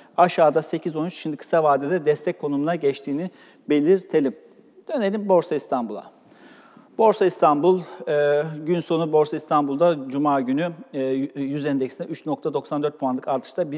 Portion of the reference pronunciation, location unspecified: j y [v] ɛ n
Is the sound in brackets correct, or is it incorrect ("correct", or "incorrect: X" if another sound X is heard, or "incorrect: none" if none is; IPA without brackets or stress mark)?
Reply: incorrect: z